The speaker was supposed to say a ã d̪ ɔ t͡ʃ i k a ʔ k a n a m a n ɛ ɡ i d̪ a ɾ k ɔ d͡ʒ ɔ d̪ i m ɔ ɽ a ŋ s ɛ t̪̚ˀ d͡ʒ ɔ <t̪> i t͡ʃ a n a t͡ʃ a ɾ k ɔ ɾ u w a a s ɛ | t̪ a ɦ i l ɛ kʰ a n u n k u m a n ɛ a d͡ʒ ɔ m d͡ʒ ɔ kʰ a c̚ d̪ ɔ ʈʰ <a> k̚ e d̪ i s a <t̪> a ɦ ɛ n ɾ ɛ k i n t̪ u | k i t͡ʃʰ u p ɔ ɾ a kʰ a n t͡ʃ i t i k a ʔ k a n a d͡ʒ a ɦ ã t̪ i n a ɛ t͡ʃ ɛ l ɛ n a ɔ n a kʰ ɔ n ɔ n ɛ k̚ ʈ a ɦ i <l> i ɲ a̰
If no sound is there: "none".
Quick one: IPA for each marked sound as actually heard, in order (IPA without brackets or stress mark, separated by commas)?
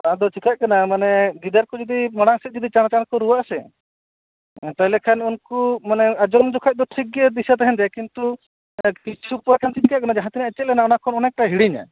d̪, i, t̪, ɽ